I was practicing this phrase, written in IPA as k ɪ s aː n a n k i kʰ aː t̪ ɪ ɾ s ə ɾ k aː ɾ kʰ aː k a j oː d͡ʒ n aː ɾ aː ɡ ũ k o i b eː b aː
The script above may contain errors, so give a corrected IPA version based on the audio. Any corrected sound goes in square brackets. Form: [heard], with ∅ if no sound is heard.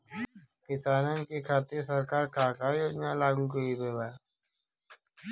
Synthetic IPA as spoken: k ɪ s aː n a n k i kʰ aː t̪ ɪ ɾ s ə ɾ k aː ɾ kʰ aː k a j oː d͡ʒ n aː [l] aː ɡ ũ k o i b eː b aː